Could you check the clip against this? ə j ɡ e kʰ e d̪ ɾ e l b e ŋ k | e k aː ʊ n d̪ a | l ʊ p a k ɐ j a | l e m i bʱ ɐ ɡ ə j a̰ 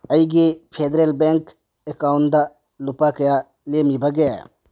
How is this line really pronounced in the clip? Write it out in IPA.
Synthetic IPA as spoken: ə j ɡ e pʰ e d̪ ɾ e l b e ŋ k | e k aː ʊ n d̪ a | l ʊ p a k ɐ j a | l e m i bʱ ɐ ɡ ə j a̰

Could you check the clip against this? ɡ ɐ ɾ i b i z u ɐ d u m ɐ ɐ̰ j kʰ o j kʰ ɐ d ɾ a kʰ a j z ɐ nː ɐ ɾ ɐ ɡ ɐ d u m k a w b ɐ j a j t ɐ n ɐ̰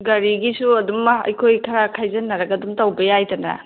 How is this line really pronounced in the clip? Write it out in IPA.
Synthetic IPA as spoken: ɡ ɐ ɾ i ɡ i s u ɐ d u m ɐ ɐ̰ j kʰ o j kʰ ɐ ɾ a kʰ a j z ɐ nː ɐ ɾ ɐ ɡ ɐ d u m t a w b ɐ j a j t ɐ n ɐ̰

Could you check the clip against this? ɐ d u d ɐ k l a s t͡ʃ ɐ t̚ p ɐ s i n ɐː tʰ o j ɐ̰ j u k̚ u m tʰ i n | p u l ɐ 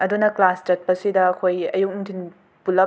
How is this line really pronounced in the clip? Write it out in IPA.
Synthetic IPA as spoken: ɐ d u n ɐ k l a s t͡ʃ ɐ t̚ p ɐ s i d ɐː kʰ o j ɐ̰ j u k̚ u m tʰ i n | p u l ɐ

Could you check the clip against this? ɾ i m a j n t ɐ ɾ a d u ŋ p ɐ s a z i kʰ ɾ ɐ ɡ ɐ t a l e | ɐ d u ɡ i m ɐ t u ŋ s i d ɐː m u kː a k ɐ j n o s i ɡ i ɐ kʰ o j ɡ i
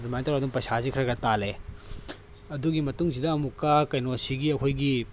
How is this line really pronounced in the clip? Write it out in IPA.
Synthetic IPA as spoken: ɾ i m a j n t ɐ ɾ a d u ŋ p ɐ s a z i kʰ ɾ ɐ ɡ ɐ t a l e | ɐ d u ɡ i m ɐ t u ŋ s i d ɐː m u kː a k ɐ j n o s i ɡ i ɐ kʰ o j ɡ i

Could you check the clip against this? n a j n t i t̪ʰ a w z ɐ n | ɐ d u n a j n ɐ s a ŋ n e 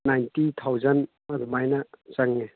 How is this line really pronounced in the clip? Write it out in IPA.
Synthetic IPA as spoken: n a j n t i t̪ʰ a w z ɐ n | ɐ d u m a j n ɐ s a ŋ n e

